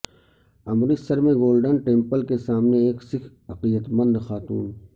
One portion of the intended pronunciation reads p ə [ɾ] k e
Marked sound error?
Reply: yes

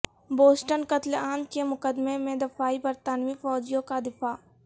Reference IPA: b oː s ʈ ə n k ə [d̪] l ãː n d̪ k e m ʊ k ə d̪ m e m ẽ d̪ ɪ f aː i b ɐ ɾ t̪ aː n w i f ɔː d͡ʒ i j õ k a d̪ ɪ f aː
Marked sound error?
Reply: yes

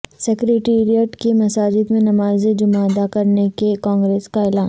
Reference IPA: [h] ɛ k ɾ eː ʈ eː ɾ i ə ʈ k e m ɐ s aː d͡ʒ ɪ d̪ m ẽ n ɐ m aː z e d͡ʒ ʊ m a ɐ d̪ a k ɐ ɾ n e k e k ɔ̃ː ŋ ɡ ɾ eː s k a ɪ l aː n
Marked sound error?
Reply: yes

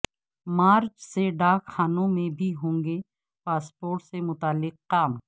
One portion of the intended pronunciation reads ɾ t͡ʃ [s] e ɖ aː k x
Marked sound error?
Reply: no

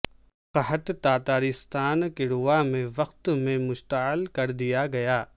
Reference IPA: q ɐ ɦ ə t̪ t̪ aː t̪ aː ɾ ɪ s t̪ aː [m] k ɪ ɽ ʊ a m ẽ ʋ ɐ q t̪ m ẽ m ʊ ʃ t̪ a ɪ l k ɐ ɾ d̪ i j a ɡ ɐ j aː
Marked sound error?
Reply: yes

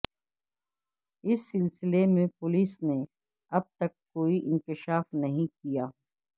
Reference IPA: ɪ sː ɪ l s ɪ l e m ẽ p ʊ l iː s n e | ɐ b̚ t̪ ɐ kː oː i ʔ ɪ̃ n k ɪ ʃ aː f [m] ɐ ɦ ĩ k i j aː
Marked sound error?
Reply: yes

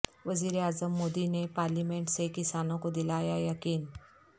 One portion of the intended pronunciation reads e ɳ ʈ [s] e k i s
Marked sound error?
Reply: no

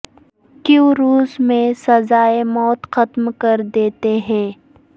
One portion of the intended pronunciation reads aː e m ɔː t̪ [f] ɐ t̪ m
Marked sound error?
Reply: yes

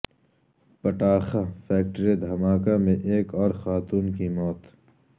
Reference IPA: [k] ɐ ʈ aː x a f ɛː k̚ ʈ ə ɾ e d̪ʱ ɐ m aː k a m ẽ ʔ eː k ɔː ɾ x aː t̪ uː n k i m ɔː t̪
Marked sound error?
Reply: yes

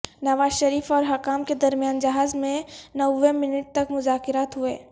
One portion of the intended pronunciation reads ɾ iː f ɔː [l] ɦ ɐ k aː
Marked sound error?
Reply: yes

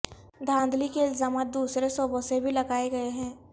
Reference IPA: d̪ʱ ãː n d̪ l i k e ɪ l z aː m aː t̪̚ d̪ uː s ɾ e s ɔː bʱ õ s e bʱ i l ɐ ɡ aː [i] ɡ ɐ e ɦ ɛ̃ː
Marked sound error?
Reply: yes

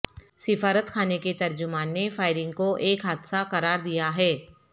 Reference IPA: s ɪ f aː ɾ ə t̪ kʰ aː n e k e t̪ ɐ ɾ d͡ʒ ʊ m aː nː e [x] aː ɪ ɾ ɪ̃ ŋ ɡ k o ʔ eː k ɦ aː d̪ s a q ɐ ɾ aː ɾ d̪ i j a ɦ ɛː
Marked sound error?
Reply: yes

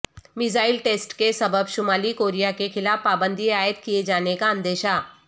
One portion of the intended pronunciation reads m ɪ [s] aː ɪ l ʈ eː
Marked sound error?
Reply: yes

